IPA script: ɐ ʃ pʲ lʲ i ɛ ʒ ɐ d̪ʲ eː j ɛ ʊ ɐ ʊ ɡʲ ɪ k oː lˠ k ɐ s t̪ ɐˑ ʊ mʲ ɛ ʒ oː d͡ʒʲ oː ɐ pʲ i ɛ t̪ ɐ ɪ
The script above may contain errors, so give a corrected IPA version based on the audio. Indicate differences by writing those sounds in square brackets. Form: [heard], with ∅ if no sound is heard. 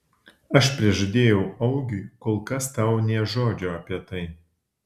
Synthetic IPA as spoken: ɐ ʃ pʲ [ɾʲ] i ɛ ʒ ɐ d̪ʲ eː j ɛ ʊ ɐ ʊ ɡʲ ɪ k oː lˠ k ɐ s t̪ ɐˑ ʊ [nʲ] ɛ ʒ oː d͡ʒʲ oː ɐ pʲ i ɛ t̪ ɐ ɪ